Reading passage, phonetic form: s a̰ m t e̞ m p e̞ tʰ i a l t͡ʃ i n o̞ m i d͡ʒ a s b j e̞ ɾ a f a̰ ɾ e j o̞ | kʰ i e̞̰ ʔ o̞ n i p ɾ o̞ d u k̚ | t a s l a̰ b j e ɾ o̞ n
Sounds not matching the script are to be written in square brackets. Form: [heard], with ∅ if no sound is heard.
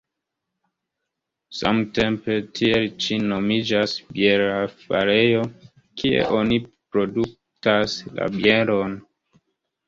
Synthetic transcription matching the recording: s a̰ m t e̞ m p e̞ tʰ i [e] l t͡ʃ i n o̞ m i d͡ʒ a s b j e̞ ɾ a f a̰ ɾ e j o̞ | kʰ i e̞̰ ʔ o̞ n i p ɾ o̞ d u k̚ | t a s l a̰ b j e ɾ o̞ n